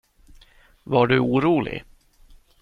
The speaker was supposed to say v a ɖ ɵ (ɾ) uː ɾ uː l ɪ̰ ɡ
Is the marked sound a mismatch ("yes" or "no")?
yes